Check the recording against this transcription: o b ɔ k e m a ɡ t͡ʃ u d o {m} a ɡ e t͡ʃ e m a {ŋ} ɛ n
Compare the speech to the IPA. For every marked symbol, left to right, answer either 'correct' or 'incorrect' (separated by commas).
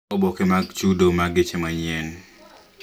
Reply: correct, incorrect